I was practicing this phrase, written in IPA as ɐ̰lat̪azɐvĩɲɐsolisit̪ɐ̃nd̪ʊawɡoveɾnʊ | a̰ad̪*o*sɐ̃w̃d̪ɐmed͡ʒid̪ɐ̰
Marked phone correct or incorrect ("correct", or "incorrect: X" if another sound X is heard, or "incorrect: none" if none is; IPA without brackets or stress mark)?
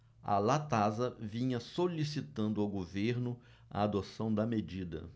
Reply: correct